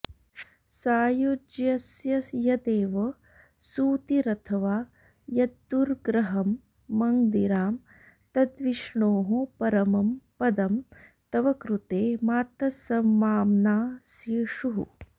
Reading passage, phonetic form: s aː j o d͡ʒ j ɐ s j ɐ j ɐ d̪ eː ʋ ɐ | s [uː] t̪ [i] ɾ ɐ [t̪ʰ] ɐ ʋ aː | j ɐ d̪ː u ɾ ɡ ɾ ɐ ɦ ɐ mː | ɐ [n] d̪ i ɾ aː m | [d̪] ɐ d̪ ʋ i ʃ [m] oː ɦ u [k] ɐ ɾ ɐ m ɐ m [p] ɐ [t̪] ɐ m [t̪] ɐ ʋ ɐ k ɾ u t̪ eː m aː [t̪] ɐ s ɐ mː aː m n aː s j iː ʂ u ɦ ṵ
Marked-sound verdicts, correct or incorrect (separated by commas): correct, correct, correct, incorrect, incorrect, incorrect, incorrect, correct, incorrect, correct, correct